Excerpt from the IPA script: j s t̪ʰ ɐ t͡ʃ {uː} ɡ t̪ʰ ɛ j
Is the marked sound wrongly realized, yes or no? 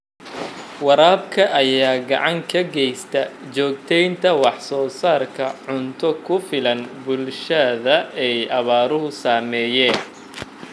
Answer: yes